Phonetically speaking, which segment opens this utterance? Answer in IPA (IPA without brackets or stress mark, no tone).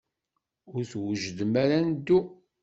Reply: ʊ